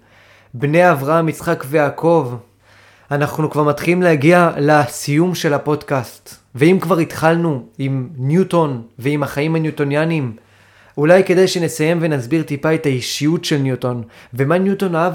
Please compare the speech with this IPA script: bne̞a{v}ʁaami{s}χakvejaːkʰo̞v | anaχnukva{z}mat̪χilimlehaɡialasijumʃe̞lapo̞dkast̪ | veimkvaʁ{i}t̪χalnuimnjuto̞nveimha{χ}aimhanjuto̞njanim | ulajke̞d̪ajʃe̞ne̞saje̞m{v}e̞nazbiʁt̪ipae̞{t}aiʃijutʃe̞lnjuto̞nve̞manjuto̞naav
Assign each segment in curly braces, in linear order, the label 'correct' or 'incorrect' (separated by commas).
correct, incorrect, incorrect, correct, correct, correct, correct